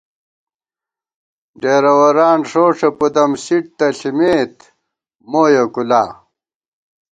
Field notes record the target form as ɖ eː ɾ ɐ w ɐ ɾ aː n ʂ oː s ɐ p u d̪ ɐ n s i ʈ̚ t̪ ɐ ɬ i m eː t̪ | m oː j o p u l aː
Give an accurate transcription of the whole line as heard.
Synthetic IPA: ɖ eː ɾ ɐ w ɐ ɾ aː n ʂ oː ʂ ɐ p u d̪ ɐ m s i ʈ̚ t̪ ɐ ɬ i m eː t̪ | m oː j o k u l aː